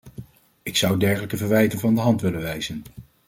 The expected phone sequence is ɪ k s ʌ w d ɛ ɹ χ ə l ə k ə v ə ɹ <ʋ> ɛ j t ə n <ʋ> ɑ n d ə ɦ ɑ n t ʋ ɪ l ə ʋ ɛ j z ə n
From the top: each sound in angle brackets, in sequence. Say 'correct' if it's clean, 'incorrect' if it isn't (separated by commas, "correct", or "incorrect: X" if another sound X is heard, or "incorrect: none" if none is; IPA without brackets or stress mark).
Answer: correct, incorrect: v